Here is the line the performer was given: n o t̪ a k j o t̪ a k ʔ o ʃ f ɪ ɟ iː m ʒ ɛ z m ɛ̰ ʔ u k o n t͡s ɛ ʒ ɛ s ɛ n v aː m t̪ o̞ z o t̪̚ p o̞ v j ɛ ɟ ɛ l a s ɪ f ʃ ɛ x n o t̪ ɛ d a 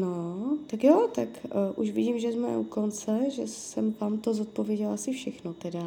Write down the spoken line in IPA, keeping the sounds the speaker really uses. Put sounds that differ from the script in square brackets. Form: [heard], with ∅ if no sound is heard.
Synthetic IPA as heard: n o t̪ a k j o t̪ a k ʔ [u] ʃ [v] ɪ ɟ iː m ʒ ɛ z m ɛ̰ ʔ u k o n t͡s ɛ ʒ ɛ s ɛ [m] v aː m t̪ o̞ z o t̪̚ p o̞ v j ɛ ɟ ɛ l a s ɪ f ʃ ɛ x n o t̪ ɛ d a